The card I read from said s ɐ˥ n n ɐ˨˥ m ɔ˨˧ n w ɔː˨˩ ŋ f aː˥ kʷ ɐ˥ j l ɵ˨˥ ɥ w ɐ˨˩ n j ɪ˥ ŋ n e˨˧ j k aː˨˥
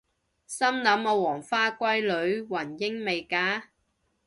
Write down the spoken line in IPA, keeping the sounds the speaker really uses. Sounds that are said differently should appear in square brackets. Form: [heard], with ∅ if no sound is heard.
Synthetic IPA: s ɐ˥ [m] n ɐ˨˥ m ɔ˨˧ [∅] w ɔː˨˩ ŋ f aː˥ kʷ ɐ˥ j l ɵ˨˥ ɥ w ɐ˨˩ n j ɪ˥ ŋ [m] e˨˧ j k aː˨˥